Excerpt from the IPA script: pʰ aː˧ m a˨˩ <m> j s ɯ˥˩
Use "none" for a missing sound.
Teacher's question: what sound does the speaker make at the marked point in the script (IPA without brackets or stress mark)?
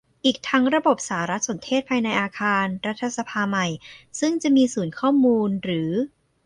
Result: none